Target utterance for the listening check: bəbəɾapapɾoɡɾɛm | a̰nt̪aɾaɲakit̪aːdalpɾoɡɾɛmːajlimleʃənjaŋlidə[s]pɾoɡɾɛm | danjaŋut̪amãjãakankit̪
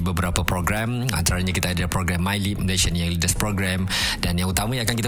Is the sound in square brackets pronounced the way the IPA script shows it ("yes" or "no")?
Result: yes